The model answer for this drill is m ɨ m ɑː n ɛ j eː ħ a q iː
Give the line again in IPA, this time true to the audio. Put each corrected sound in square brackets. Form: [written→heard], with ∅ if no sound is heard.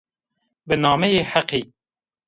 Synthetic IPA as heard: [m→b] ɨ [m→n] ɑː [n→m] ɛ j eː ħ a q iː